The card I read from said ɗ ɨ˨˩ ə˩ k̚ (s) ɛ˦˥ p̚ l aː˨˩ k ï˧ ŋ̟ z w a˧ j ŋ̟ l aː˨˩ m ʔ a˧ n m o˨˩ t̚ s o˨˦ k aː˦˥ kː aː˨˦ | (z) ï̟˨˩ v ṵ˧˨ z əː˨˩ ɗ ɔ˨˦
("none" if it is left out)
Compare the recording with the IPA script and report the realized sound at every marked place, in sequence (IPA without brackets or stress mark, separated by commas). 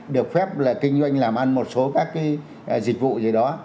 f, z